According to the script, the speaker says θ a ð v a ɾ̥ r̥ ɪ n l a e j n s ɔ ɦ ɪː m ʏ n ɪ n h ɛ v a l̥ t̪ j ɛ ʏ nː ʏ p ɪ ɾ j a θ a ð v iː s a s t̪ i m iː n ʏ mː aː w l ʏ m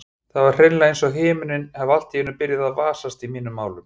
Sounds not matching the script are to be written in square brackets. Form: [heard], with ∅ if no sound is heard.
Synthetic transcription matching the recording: θ a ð v a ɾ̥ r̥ ɪ n l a e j n s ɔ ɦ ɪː m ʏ n ɪ n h ɛ v a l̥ t̪ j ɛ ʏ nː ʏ p ɪ ɾ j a [ð] a ð v [aː] s a s t̪ i m iː n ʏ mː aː w l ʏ m